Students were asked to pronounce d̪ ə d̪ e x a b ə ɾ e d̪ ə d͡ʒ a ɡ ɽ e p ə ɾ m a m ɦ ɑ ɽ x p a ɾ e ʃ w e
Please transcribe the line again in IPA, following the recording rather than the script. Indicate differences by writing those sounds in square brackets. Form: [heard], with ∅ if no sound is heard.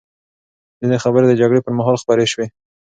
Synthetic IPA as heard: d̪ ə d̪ e x a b ə ɾ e d̪ ə d͡ʒ a ɡ ɽ e p ə ɾ m a [∅] ɦ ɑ [l] x p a ɾ e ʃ w e